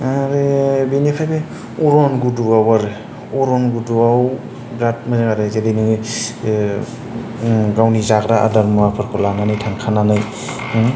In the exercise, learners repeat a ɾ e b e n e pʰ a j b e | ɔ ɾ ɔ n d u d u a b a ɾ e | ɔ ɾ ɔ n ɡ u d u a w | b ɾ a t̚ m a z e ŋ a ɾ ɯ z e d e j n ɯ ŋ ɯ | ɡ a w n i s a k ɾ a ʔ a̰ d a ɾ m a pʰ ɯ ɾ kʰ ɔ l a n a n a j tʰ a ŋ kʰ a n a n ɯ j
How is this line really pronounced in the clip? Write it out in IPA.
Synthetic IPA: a ɾ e b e n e pʰ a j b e | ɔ ɾ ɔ n ɡ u d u a w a ɾ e | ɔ ɾ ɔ n ɡ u d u a w | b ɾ a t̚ m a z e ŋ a ɾ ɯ z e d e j n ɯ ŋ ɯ | ɡ a w n i z a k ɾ a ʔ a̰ d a ɾ m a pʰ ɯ ɾ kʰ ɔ l a n a n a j tʰ a ŋ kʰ a n a n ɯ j